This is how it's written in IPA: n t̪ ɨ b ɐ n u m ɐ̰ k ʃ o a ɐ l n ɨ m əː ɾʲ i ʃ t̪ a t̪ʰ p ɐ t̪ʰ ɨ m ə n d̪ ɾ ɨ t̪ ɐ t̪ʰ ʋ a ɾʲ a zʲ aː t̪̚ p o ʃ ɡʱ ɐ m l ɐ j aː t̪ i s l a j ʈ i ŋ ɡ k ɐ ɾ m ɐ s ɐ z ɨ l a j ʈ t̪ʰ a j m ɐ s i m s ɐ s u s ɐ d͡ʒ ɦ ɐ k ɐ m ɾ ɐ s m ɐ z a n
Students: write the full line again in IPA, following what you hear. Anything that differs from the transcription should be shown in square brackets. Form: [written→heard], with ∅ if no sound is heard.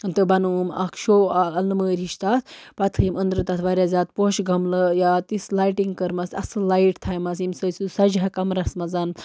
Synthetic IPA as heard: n t̪ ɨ b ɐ n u m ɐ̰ k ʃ o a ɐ l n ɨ m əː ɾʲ i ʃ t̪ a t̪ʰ p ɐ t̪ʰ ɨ m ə n d̪ ɾ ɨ t̪ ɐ t̪ʰ ʋ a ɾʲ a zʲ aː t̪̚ p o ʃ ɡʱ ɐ m l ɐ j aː t̪ i s l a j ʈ i ŋ ɡ k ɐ ɾ m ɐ s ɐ [z→s] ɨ l a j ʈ t̪ʰ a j m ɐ s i m s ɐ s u s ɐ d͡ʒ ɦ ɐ k ɐ m ɾ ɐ s m ɐ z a n

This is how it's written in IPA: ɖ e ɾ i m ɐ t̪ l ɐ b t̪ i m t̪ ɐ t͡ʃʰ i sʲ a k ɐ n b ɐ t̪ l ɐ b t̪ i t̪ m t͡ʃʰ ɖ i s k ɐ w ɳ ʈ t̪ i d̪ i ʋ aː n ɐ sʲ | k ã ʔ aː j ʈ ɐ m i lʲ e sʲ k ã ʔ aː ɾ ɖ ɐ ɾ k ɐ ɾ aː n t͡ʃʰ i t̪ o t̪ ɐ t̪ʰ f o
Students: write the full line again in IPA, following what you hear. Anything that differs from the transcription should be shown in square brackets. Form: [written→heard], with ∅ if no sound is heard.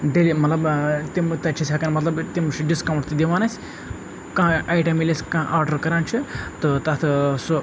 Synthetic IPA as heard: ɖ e [ɾ→l] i m ɐ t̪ l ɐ b t̪ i m t̪ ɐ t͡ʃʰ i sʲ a k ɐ n [b→m] ɐ t̪ l ɐ b t̪ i [t̪→∅] m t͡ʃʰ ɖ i s k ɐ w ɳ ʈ t̪ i d̪ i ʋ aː n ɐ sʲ | k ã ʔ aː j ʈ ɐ m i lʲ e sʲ k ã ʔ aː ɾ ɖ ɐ ɾ k ɐ ɾ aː n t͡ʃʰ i t̪ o t̪ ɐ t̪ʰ [f→s] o

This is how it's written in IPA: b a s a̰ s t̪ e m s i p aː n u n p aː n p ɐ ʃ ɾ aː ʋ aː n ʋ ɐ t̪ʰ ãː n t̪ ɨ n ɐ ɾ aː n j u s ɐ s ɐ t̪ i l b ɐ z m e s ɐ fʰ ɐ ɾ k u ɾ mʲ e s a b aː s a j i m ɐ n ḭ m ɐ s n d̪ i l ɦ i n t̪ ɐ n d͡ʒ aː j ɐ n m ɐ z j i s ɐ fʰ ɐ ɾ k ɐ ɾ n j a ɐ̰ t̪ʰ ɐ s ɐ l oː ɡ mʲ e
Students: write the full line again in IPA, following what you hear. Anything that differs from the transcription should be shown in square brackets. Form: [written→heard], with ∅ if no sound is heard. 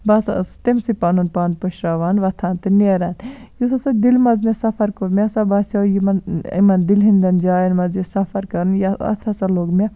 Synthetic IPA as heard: b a s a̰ s t̪ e m s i p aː n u n p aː n p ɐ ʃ ɾ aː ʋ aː n ʋ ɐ t̪ʰ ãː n t̪ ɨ n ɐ ɾ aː n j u s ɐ s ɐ [t̪→d̪] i l [b→m] ɐ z m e s ɐ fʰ ɐ ɾ k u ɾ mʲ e s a b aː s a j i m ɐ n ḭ m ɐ [s→∅] n d̪ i l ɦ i n [t̪→d̪] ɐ n d͡ʒ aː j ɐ n m ɐ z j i s ɐ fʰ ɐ ɾ k ɐ ɾ n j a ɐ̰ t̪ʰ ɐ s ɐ l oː ɡ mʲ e

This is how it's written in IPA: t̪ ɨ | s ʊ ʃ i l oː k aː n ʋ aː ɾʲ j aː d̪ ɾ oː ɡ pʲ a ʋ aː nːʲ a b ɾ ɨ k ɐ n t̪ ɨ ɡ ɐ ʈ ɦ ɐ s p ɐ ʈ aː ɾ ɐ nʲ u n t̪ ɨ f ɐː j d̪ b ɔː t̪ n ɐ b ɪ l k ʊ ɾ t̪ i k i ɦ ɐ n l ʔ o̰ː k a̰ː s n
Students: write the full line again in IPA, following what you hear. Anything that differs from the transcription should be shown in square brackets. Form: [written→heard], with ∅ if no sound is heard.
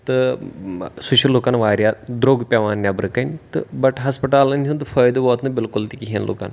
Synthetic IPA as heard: t̪ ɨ | s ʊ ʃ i l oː k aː n ʋ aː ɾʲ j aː d̪ ɾ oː ɡ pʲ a ʋ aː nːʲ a b ɾ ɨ k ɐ n t̪ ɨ [ɡ→b] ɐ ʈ ɦ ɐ s p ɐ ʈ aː [ɾ→l] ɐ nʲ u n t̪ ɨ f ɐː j d̪ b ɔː t̪ n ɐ b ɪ l k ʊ [ɾ→l] t̪ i k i ɦ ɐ n l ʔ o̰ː k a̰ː [s→∅] n

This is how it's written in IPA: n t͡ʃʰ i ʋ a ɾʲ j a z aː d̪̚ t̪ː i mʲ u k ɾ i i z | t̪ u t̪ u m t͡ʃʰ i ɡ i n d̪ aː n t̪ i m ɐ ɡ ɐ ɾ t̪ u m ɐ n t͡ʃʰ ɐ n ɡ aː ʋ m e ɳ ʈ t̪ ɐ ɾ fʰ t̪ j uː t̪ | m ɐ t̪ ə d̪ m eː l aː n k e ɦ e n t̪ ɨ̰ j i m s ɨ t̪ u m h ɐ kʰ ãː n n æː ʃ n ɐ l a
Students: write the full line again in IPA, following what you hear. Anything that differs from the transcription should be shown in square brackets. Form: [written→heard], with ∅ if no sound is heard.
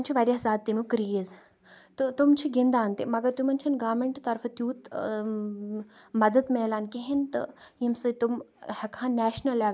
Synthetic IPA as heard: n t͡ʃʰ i ʋ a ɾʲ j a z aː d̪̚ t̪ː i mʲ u k ɾ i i z | t̪ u t̪ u m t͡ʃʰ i ɡ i n d̪ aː n t̪ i m ɐ ɡ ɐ ɾ t̪ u m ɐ n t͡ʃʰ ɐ n ɡ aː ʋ m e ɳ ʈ t̪ ɐ ɾ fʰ t̪ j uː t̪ | m ɐ [t̪→d̪] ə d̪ m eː l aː n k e ɦ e n t̪ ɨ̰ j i m s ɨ t̪ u m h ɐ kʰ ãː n n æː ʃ n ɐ l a

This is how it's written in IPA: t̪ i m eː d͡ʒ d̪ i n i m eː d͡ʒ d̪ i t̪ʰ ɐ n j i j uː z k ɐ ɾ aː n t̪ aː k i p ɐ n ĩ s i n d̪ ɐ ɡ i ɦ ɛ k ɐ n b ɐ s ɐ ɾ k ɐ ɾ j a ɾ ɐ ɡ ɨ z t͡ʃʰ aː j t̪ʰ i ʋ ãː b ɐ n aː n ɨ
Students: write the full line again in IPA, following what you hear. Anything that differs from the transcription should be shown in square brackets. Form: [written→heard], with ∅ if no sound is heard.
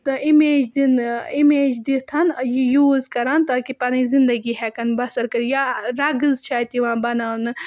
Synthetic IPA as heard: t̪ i m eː d͡ʒ d̪ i n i m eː d͡ʒ d̪ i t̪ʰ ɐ n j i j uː z k ɐ ɾ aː n t̪ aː k i p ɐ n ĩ [s→z] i n d̪ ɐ ɡ i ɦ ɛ k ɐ n b ɐ s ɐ ɾ k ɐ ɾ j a ɾ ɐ ɡ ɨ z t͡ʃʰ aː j [t̪ʰ→t̪] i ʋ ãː b ɐ n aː n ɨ

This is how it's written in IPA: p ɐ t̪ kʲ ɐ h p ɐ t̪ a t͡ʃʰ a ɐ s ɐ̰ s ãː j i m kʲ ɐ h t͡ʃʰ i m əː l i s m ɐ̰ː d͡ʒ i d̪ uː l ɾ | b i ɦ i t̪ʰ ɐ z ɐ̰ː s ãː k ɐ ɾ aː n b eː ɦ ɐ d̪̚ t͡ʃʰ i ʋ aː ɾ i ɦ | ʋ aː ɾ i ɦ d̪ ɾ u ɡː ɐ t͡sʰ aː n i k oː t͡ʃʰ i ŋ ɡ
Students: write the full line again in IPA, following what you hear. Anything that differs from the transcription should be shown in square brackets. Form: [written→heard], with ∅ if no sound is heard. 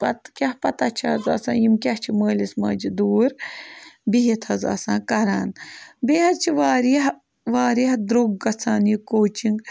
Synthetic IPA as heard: p ɐ t̪ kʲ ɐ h p ɐ t̪ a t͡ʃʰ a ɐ [s→z] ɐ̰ s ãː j i m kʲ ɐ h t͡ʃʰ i m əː l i s m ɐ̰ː d͡ʒ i d̪ uː [l→∅] ɾ | b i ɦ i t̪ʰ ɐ z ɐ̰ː s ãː k ɐ ɾ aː n b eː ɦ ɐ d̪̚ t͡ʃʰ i ʋ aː ɾ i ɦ | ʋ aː ɾ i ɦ d̪ ɾ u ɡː ɐ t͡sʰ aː n i k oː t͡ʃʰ i ŋ ɡ

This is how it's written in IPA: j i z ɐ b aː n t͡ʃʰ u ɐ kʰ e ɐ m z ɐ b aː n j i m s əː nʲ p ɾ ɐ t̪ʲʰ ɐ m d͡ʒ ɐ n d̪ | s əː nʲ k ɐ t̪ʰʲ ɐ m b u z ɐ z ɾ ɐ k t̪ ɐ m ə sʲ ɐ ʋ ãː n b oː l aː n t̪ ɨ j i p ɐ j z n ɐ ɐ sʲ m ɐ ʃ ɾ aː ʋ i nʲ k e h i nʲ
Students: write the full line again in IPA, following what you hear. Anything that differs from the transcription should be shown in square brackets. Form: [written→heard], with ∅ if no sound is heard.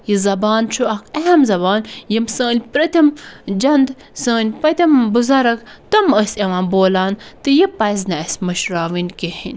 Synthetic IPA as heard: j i z ɐ b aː n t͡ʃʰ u ɐ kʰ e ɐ m z ɐ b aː n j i m s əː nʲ p ɾ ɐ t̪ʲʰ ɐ m d͡ʒ ɐ n d̪ | s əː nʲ [k→p] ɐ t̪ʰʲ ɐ m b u z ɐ [z→∅] ɾ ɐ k t̪ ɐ m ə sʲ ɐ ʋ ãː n b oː l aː n t̪ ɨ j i p ɐ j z n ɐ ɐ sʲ m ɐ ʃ ɾ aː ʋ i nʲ k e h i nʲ

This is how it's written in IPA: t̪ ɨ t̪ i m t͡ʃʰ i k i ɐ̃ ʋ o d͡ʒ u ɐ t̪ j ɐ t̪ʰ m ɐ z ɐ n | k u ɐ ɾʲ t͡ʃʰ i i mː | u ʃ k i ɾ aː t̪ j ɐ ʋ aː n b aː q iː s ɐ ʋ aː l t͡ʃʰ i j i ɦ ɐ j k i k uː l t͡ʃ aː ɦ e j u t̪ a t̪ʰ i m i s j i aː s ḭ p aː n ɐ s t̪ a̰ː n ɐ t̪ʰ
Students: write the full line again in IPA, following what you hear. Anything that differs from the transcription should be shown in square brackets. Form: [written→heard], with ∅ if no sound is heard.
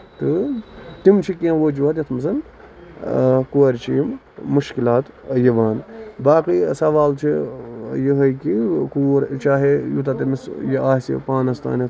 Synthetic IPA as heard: t̪ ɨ t̪ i m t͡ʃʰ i k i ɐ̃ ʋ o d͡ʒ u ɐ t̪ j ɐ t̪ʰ m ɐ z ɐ n | k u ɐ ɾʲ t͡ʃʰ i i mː | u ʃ k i [ɾ→l] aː t̪ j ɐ ʋ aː n b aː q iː s ɐ ʋ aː l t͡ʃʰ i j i ɦ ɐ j k i k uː [l→ɾ] t͡ʃ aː ɦ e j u t̪ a [t̪ʰ→t̪] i m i s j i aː s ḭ p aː n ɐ s t̪ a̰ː n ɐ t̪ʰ

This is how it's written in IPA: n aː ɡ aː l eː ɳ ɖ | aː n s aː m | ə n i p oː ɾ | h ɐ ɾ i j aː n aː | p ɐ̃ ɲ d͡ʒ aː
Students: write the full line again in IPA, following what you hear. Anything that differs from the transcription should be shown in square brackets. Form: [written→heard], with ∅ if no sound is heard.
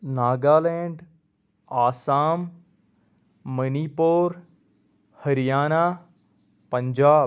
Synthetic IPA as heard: n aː ɡ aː l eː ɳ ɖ | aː [n→∅] s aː m | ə n i p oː ɾ | h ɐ ɾ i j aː n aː | p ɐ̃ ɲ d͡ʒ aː

